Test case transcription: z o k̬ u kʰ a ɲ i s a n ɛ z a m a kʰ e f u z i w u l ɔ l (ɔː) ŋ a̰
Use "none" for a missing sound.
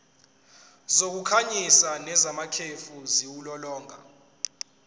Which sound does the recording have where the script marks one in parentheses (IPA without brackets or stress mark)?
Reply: ɔː